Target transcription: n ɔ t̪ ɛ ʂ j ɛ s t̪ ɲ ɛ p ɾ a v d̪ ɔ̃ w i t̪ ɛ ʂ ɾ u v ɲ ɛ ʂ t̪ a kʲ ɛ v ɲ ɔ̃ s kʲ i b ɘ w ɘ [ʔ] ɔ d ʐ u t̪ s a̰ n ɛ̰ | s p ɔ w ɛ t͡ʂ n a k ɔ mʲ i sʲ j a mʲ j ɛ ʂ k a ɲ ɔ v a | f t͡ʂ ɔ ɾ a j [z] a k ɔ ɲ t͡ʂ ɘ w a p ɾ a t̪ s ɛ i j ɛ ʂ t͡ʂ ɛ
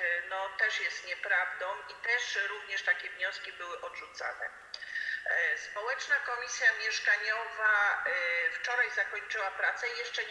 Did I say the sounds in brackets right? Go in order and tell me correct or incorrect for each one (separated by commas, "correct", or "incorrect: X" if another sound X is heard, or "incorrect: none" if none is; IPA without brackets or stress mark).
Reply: correct, correct